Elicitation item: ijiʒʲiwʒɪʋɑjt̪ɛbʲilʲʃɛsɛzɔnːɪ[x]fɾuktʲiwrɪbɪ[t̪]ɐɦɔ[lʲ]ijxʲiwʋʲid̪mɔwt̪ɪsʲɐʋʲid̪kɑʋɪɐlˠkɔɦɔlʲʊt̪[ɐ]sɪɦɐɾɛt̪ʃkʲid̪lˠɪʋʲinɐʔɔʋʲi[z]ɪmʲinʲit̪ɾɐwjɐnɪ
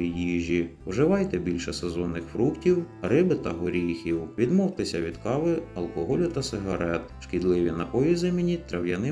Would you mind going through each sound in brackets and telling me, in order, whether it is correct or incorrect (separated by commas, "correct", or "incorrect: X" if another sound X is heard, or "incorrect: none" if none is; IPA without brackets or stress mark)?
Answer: correct, correct, incorrect: ɾʲ, correct, correct